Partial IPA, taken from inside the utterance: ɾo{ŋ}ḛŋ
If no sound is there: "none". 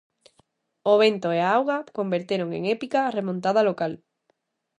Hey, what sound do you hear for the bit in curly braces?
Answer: ŋ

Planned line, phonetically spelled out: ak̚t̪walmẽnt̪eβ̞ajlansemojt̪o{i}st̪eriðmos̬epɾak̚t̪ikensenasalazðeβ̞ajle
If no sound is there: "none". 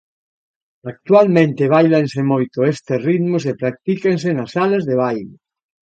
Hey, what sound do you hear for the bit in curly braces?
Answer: e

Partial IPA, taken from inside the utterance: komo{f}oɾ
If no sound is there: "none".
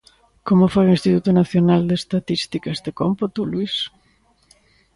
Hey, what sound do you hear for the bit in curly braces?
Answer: f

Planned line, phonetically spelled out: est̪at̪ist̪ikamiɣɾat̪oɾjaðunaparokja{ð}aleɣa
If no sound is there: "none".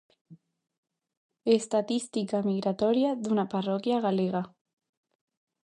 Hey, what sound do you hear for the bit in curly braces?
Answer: ɣ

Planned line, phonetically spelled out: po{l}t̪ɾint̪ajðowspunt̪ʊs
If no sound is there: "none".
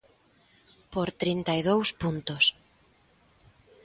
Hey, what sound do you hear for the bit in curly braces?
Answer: ɾ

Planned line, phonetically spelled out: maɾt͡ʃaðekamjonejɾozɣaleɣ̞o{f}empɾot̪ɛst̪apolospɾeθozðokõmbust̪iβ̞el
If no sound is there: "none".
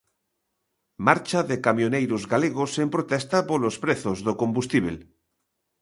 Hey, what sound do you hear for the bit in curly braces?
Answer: s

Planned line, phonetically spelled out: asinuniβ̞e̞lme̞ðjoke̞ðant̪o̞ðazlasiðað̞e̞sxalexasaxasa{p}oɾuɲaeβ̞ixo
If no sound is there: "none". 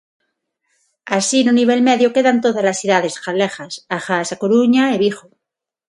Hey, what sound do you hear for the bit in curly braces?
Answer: k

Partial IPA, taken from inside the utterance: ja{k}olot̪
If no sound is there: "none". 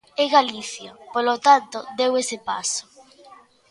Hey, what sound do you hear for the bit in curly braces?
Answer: p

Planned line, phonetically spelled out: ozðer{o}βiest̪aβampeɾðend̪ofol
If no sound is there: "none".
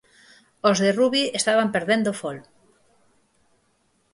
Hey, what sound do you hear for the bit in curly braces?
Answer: u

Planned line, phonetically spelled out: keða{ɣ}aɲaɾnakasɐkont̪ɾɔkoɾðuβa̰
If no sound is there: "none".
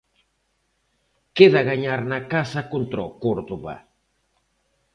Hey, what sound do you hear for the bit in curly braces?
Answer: ɣ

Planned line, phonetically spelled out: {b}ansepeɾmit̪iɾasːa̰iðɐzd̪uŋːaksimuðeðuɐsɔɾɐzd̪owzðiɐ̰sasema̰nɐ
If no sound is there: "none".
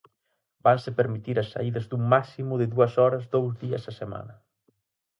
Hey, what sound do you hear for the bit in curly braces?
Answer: b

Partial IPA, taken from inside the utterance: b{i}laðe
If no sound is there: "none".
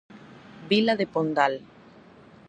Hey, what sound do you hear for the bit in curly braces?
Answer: i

